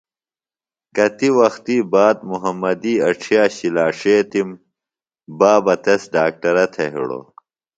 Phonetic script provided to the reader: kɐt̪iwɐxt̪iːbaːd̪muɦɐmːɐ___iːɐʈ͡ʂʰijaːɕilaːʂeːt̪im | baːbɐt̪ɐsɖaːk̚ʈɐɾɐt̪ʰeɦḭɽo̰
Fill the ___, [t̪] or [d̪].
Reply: d̪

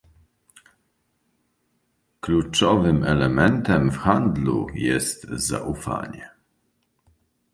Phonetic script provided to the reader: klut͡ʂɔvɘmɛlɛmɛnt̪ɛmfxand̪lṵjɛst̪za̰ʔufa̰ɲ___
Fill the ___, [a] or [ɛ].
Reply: ɛ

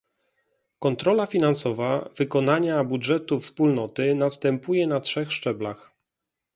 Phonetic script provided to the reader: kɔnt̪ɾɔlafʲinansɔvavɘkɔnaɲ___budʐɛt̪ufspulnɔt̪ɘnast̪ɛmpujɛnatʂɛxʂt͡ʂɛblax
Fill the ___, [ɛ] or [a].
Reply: a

